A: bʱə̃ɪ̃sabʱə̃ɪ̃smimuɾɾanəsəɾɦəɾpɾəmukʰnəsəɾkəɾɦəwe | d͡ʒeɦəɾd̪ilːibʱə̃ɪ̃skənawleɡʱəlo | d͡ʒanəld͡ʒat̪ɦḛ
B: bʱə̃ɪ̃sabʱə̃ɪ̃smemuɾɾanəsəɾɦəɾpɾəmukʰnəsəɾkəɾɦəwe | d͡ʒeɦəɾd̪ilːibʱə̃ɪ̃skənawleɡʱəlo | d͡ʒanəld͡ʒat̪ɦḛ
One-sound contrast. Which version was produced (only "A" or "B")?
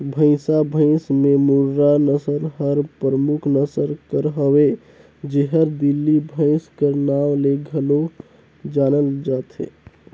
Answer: B